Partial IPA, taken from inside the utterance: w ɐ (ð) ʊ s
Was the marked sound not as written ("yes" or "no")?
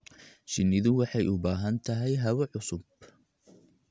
yes